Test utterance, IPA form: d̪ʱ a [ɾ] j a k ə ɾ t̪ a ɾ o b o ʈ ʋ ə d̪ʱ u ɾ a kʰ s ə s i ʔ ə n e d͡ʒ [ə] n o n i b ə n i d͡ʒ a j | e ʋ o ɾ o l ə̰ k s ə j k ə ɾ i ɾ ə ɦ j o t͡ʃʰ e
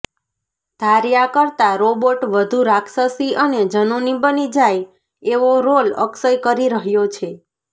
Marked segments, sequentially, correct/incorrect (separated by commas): correct, correct